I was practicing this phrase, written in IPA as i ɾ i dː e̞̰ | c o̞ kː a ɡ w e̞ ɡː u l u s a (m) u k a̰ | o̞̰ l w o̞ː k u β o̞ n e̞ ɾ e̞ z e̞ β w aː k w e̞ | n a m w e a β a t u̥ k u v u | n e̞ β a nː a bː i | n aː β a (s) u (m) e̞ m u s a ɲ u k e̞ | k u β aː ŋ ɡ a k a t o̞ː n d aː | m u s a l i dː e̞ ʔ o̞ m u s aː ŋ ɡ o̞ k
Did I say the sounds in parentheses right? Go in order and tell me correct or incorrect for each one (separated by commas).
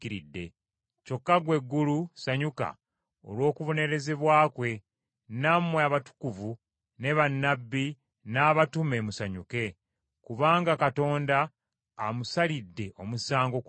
incorrect, incorrect, correct